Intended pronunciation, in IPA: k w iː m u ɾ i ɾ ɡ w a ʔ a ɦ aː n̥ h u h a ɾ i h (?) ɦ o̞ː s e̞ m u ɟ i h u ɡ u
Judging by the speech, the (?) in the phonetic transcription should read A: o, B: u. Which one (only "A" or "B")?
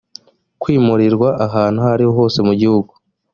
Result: A